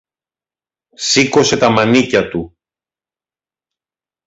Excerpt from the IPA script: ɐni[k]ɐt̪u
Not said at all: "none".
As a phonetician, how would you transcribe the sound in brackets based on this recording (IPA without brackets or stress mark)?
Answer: c